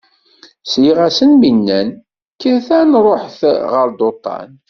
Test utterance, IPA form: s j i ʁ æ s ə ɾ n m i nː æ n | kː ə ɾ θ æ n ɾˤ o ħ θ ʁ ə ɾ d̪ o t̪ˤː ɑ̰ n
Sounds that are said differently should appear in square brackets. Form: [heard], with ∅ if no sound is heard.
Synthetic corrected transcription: s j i ʁ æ s ə [∅] n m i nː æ n | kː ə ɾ θ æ n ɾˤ o ħ θ ʁ ə ɾ d̪ o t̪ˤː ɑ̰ n